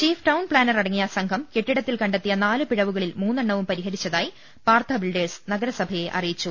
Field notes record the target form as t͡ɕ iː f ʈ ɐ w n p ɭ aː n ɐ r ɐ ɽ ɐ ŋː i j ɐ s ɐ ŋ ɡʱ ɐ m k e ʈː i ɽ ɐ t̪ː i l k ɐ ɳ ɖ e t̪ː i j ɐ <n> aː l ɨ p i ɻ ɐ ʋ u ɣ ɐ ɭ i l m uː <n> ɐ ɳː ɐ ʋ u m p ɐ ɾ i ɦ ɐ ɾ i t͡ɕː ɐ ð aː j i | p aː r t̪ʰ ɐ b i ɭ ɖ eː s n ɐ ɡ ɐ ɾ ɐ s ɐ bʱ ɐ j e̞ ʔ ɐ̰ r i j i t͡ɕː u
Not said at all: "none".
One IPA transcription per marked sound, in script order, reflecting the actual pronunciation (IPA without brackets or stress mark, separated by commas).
n, nː